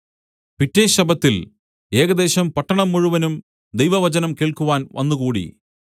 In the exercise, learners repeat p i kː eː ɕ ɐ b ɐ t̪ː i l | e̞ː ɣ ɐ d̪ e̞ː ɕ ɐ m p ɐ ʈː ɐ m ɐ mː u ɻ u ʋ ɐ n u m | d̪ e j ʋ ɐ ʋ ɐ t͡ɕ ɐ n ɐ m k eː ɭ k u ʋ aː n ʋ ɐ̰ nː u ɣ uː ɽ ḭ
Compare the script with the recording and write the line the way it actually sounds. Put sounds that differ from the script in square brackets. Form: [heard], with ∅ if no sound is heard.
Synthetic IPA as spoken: p i [tː] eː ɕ ɐ b ɐ t̪ː i l | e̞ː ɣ ɐ d̪ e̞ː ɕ ɐ m p ɐ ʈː ɐ [ɳ] ɐ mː u ɻ u ʋ ɐ n u m | d̪ e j ʋ ɐ ʋ ɐ t͡ɕ ɐ n ɐ m k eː ɭ k u ʋ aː n ʋ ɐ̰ nː u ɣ uː ɽ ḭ